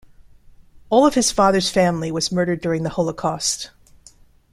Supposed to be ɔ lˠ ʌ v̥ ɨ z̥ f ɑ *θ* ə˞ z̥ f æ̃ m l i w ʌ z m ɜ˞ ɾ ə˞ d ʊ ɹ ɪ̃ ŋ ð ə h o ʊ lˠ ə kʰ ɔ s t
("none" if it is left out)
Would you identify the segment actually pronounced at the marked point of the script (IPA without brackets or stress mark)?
ð